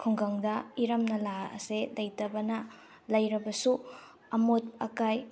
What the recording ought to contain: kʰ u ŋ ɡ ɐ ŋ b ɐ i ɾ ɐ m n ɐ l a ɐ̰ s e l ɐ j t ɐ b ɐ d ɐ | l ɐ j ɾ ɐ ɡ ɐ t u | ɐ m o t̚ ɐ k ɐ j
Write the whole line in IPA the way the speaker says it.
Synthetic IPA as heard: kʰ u ŋ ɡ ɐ ŋ d ɐ i ɾ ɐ m n ɐ l a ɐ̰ s e l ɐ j t ɐ b ɐ n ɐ | l ɐ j ɾ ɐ b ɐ s u | ɐ m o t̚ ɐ k a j